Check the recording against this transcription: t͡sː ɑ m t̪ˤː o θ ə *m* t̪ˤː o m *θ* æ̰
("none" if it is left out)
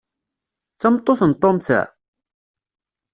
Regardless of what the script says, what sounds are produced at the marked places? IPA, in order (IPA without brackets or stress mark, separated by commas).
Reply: n, θ